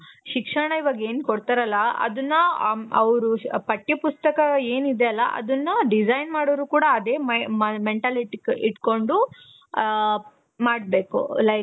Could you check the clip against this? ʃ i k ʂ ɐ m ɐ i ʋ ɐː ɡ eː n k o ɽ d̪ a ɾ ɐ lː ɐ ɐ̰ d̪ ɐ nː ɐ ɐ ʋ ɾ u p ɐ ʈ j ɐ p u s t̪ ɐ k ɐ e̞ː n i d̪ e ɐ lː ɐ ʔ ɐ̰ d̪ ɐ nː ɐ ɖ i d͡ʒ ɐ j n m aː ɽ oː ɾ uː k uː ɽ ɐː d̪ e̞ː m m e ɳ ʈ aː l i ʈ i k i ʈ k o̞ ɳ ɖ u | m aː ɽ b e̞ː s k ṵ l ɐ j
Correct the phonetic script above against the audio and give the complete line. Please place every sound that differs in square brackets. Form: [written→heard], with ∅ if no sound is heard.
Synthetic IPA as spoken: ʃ i k ʂ ɐ [m→ɳ] ɐ i ʋ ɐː ɡ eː n k o ɽ [d̪→t̪] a ɾ ɐ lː ɐ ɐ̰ d̪ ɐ nː ɐ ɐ ʋ ɾ u p ɐ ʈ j ɐ p u s t̪ ɐ k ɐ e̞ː n i d̪ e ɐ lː ɐ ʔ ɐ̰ d̪ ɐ nː ɐ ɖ i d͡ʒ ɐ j n m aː ɽ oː ɾ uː k uː ɽ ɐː d̪ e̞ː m m e ɳ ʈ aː l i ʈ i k i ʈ k o̞ ɳ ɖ u | m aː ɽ b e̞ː [s→∅] k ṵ l ɐ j